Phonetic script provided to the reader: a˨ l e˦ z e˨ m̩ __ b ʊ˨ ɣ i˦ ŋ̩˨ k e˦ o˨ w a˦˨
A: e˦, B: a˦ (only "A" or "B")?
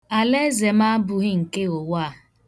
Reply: B